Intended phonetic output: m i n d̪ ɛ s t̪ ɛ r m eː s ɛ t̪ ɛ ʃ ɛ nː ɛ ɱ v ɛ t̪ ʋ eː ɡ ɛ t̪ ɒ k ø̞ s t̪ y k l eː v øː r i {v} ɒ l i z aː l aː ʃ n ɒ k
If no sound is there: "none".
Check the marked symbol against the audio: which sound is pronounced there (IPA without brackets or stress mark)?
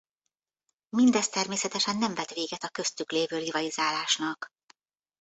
v